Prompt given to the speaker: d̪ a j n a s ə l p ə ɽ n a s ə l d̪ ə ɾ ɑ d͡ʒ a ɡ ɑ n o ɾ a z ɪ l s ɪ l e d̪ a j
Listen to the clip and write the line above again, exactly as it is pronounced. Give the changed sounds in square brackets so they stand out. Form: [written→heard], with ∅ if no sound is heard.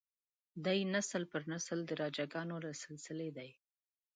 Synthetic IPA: d̪ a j n a s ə l p ə [ɽ→ɾ] n a s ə l d̪ ə ɾ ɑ d͡ʒ a ɡ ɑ n o ɾ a [z→s] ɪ l s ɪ l e d̪ a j